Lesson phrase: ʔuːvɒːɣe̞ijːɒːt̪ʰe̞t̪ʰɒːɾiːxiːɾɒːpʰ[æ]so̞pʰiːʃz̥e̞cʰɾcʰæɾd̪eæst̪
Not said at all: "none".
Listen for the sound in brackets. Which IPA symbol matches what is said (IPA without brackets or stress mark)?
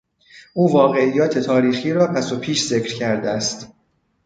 æ